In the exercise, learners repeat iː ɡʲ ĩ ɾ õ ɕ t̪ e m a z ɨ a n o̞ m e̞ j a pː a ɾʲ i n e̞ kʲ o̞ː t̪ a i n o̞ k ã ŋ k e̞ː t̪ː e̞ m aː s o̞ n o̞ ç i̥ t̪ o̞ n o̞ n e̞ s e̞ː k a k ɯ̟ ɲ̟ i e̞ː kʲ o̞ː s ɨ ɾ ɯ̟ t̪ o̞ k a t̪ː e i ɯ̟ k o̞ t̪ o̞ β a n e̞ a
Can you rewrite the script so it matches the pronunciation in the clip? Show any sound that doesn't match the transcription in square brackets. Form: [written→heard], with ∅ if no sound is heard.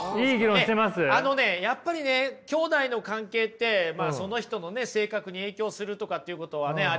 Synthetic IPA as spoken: iː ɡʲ [ĩ→i] ɾ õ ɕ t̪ e m a [z→s] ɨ a n o̞ [m→n] e̞ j a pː a ɾʲ i n e̞ kʲ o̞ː [t̪→d̪] a i n o̞ k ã ŋ k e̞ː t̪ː e̞ m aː s o̞ n o̞ ç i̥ t̪ o̞ n o̞ n e̞ s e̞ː k a k ɯ̟ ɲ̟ i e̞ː kʲ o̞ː s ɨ ɾ ɯ̟ t̪ o̞ k a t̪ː e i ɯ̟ k o̞ t̪ o̞ β a n e̞ a